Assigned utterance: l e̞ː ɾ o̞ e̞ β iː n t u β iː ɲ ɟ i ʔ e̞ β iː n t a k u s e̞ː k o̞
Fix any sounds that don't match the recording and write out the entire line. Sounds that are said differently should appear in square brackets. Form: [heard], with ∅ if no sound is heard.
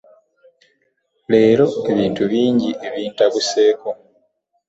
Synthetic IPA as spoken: l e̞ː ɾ o̞ e̞ β iː n t u β iː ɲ ɟ i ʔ e̞ β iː n t a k u s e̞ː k o̞